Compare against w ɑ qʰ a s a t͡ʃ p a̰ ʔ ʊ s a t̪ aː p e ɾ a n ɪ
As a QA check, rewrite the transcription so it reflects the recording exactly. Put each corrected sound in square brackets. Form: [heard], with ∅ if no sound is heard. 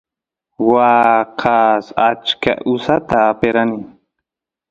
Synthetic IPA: w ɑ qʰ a s a t͡ʃ [k] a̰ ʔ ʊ s a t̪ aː p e ɾ a n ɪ

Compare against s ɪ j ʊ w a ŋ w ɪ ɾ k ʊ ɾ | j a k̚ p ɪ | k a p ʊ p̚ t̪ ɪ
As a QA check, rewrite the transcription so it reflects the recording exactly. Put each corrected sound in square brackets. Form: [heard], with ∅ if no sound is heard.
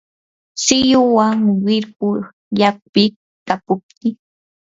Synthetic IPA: s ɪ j ʊ w a ŋ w ɪ ɾ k ʊ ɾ | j a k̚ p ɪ | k a p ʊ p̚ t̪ ɪ

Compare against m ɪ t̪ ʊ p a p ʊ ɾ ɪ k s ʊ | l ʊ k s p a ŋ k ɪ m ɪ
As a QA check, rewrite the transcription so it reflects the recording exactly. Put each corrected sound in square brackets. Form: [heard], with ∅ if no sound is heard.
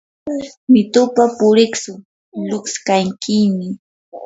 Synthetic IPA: m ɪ t̪ ʊ p a p ʊ ɾ ɪ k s ʊ | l ʊ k s [k] a ŋ k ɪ m ɪ

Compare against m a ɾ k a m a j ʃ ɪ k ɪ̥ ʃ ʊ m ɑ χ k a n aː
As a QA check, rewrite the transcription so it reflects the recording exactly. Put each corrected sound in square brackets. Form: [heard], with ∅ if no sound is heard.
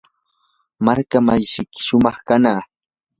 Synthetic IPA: m a ɾ k a m a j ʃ ɪ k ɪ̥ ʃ ʊ m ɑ χ k a n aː

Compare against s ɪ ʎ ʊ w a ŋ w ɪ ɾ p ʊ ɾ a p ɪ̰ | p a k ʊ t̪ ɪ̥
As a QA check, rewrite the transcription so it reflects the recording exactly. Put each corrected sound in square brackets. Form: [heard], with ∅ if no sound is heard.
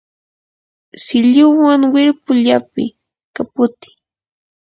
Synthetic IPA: s ɪ ʎ ʊ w a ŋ w ɪ ɾ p ʊ [ʎ] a p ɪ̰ | [k] a [p] ʊ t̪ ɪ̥

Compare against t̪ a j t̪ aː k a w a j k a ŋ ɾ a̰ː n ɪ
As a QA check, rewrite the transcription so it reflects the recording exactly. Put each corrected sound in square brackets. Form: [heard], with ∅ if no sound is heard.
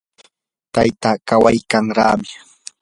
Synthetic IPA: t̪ a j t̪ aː k a w a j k a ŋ ɾ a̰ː [m] ɪ

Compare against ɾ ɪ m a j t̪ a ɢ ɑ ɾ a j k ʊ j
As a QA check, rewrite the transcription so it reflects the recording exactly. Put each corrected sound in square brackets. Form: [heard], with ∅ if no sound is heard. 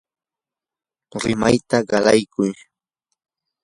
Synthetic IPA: ɾ ɪ m a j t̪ a ɢ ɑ [l] a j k ʊ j

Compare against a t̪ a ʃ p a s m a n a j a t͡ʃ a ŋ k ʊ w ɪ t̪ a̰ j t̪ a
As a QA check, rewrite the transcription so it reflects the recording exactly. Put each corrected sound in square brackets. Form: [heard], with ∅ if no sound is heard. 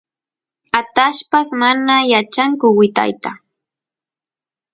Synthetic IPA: a t̪ a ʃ p a s m a n a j a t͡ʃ a ŋ k ʊ w ɪ t̪ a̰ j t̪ a

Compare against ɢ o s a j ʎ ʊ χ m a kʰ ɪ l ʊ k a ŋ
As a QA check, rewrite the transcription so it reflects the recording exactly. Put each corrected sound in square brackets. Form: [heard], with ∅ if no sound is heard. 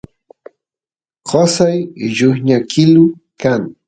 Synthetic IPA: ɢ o s a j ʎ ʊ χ [ɲ] a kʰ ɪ l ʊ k a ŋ

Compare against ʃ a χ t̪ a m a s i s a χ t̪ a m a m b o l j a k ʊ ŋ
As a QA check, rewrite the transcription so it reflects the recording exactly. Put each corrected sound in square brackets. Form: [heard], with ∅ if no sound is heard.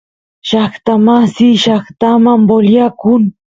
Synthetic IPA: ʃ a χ t̪ a m a s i [ʃ] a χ t̪ a m a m b o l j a k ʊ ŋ

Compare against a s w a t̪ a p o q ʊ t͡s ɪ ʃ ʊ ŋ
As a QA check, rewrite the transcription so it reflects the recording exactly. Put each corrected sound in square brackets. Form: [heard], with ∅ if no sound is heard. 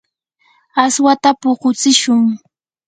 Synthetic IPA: a s w a t̪ a p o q ʊ t͡s ɪ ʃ ʊ ŋ

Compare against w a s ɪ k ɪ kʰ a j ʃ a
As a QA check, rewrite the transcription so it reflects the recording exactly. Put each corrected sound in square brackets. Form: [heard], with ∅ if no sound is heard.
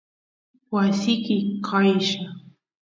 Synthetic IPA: w a s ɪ k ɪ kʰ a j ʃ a

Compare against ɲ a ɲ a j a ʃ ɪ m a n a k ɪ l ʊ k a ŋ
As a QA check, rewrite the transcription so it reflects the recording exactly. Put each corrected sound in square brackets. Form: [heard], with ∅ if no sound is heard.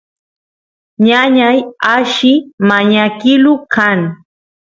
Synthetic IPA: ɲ a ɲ a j a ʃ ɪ m a [ɲ] a k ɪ l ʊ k a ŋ

